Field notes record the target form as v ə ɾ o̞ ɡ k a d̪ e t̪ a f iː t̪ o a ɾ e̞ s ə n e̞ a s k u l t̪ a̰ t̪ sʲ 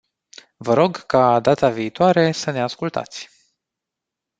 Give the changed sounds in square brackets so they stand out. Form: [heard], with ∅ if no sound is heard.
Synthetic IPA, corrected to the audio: v ə ɾ o̞ ɡ k a d̪ [a] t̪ a [v] iː t̪ o a ɾ e̞ s ə n e̞ a s k u l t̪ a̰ t̪ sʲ